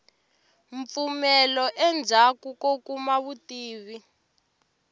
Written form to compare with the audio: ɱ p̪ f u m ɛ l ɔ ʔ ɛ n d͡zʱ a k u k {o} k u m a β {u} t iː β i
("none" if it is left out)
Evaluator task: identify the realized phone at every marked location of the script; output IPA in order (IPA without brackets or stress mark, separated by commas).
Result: o, u